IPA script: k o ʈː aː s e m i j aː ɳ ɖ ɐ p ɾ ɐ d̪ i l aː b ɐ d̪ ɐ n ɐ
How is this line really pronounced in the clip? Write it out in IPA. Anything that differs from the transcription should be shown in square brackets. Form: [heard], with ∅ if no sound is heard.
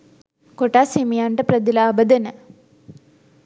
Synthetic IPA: k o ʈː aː s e m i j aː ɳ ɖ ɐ p ɾ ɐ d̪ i l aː b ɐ d̪ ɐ n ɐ